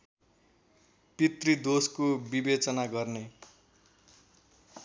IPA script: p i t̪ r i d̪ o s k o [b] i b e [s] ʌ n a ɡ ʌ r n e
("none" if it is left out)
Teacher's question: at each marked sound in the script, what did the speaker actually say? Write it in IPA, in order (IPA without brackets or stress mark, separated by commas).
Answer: b, t͡s